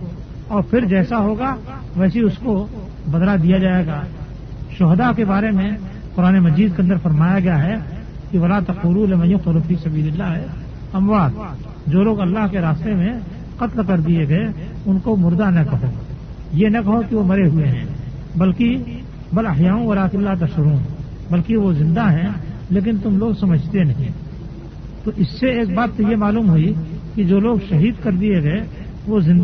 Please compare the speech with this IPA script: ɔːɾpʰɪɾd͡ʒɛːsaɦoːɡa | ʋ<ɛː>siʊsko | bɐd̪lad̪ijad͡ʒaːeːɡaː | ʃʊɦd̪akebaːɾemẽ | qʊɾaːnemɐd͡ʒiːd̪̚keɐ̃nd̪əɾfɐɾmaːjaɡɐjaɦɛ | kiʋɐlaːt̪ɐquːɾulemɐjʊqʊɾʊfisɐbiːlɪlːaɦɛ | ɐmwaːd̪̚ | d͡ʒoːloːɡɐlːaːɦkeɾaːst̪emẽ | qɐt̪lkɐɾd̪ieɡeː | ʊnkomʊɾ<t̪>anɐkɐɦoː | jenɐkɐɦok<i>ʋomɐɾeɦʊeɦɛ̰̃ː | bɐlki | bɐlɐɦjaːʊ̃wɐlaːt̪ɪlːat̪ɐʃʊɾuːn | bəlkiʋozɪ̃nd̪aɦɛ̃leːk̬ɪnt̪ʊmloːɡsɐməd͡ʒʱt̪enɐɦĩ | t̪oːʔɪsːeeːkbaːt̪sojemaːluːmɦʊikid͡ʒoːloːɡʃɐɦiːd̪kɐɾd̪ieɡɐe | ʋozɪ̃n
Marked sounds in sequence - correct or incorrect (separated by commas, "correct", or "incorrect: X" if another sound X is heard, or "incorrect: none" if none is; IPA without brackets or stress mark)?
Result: correct, incorrect: d̪, correct